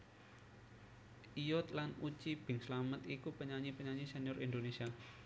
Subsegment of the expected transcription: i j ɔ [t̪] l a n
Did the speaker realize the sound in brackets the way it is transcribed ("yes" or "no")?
yes